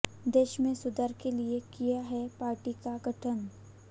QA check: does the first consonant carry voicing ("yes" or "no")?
yes